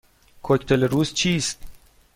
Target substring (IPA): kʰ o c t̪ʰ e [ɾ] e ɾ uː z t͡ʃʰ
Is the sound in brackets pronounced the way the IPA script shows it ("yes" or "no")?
no